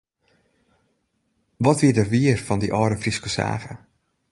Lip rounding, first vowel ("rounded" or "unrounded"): rounded